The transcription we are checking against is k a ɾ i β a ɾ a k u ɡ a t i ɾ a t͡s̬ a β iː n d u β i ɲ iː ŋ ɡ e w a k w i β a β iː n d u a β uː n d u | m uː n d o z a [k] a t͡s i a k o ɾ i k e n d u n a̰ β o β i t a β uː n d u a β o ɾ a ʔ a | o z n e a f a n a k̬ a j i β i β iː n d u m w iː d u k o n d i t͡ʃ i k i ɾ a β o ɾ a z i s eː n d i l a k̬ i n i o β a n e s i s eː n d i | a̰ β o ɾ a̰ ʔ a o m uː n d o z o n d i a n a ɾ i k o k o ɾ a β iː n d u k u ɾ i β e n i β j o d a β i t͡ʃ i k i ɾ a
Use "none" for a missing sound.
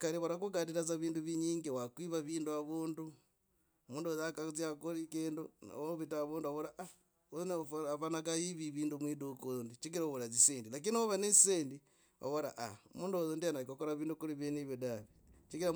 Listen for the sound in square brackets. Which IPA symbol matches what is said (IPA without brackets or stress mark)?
k